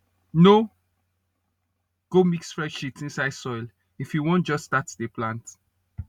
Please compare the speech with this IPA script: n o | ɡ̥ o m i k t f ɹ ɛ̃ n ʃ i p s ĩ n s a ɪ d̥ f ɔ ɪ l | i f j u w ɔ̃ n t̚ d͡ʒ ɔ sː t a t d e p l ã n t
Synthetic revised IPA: n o | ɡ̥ o m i k s f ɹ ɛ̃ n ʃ i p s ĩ n s a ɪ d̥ s ɔ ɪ l | i f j u w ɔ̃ n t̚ d͡ʒ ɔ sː t a t d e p l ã n t